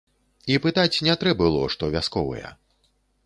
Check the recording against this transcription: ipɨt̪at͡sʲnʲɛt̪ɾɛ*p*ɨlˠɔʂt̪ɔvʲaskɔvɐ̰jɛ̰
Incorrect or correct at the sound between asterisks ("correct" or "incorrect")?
incorrect